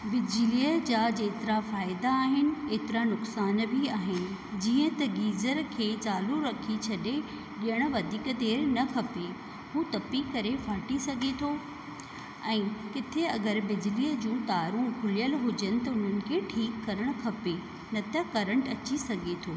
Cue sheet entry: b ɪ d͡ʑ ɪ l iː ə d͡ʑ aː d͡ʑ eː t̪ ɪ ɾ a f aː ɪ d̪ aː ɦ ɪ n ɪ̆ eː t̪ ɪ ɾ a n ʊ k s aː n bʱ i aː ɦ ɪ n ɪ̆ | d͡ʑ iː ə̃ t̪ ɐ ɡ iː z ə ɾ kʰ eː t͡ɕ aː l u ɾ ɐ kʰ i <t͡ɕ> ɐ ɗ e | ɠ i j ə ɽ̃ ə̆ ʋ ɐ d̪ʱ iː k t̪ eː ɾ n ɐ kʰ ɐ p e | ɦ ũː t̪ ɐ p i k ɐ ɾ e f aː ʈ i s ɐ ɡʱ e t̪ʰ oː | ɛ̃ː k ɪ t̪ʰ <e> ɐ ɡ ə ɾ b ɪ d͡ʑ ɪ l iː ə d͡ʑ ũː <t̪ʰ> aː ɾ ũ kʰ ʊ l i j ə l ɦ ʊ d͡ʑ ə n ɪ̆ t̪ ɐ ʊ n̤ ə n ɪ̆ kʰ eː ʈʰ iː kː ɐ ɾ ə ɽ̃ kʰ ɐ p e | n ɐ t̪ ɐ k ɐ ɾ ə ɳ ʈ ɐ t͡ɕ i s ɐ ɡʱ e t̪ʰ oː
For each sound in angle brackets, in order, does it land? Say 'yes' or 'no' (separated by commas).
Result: no, yes, no